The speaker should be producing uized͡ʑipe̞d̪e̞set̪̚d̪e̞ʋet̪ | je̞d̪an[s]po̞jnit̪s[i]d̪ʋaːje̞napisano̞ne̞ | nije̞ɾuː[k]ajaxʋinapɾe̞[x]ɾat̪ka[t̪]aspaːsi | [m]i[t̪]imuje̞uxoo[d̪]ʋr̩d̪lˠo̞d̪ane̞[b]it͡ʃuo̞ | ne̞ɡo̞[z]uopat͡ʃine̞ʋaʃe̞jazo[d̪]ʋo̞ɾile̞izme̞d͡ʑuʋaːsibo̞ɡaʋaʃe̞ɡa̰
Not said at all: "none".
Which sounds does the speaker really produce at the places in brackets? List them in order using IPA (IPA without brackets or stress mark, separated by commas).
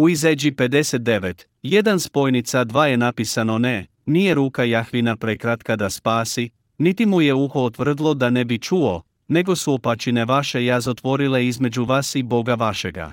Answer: s, a, k, k, d̪, n, t̪, t̪, b, s, t̪